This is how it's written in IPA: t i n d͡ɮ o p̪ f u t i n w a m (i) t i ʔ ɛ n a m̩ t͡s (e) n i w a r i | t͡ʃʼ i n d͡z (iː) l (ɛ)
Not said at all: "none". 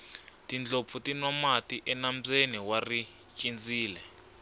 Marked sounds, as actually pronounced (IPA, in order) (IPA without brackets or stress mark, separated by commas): a, e, iː, ɛ